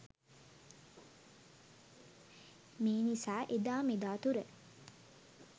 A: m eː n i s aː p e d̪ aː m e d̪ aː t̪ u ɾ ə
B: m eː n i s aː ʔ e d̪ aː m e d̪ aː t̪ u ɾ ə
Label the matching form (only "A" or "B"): B